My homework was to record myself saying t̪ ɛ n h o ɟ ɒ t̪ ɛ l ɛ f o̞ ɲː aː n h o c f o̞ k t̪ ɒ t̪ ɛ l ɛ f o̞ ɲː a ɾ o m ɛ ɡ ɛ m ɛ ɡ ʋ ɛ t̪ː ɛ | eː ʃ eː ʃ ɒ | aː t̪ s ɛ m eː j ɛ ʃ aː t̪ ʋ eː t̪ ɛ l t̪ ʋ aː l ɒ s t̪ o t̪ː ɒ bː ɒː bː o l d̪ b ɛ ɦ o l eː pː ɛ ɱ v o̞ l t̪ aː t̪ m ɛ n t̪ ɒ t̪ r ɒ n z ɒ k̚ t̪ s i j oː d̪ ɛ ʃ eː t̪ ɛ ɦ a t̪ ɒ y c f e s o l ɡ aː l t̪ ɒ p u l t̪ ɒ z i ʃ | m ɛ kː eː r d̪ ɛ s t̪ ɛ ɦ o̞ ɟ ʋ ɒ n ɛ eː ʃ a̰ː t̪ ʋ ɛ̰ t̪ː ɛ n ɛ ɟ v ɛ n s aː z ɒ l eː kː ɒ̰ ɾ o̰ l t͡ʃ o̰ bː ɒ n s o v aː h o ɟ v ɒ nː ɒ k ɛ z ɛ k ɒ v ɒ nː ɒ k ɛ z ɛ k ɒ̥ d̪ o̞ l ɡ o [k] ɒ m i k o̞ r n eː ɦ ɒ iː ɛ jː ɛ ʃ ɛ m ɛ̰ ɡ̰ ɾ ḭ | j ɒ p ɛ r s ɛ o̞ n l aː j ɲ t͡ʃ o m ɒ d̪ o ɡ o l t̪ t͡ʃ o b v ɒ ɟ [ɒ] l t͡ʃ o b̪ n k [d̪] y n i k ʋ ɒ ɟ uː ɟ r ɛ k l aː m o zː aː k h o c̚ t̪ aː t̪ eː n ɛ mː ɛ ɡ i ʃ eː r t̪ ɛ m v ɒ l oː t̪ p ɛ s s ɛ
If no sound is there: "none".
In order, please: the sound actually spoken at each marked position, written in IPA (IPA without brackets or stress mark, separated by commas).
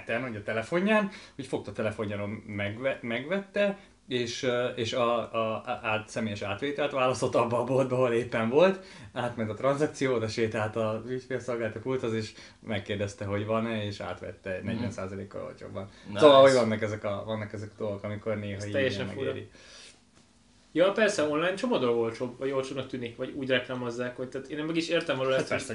k, o, t̪